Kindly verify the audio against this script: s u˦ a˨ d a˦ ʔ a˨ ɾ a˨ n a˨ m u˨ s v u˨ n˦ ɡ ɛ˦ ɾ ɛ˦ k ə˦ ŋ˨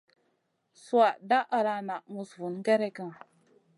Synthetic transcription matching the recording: s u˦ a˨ d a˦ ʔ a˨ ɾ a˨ n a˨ m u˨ s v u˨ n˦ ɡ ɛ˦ ɾ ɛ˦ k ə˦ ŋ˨